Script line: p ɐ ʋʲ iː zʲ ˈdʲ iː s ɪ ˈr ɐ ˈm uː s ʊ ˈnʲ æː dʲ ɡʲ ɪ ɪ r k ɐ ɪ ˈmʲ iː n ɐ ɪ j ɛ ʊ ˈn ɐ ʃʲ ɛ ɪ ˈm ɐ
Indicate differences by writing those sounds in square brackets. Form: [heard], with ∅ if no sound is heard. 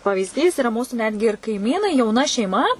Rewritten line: p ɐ ʋʲ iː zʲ ˈdʲ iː s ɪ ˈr ɐ ˈm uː s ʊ ˈnʲ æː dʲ ɡʲ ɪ ɪ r k ɐ ɪ ˈmʲ iː n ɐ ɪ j ɛ ʊ ˈn ɐ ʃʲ ɛ ɪ ˈm ɐ

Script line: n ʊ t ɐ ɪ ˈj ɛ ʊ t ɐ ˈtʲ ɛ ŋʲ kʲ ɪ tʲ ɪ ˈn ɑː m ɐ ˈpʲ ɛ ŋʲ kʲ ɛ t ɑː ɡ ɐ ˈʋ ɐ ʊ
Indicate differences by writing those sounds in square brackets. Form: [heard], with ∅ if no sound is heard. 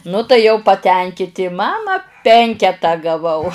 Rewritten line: n ʊ t ɐ ɪ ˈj ɛ ʊ [p] ɐ ˈtʲ ɛ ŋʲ kʲ ɪ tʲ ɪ [ˈm] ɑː m ɐ ˈpʲ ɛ ŋʲ kʲ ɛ t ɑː ɡ ɐ ˈʋ ɐ ʊ

